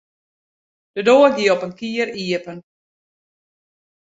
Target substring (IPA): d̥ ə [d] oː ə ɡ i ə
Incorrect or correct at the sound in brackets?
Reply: correct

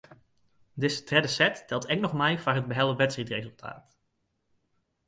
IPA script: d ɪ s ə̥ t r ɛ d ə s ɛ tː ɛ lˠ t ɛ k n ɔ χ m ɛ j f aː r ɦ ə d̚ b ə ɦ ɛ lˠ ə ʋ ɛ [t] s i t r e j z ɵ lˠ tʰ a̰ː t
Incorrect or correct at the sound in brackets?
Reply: correct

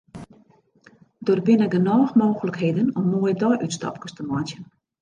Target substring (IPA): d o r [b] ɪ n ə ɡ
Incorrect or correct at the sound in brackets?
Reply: correct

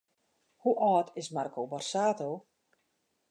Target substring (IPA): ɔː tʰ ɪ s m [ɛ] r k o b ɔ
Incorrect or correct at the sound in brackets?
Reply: incorrect: a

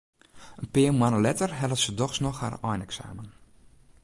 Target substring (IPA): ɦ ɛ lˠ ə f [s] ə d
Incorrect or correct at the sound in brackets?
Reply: correct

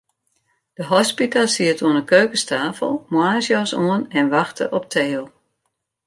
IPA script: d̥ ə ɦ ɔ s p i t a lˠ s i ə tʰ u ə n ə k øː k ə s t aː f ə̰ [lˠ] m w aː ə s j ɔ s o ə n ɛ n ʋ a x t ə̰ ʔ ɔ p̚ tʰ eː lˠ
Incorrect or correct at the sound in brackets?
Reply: correct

